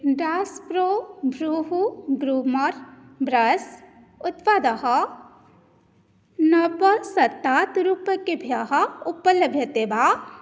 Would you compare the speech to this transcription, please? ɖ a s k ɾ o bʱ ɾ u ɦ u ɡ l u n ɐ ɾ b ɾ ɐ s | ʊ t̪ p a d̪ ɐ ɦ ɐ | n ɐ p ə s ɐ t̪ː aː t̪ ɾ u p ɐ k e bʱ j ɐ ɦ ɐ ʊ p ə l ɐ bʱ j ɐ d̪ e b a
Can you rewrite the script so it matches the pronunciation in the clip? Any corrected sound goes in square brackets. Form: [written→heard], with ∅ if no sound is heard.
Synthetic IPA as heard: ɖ a s [k→p] ɾ o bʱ ɾ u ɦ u ɡ [l→ɾ] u [n→m] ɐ ɾ b ɾ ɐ s | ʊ t̪ p a d̪ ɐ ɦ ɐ | n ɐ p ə s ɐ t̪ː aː t̪ ɾ u p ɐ k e bʱ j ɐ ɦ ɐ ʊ p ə l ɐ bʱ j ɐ [d̪→t̪] e b a